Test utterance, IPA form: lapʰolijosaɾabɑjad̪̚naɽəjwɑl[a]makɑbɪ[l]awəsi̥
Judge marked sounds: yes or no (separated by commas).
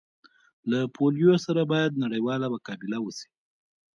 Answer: yes, yes